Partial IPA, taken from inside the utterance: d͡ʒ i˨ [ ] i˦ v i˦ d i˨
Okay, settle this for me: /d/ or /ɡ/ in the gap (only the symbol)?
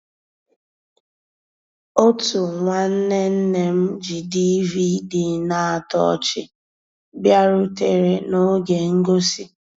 d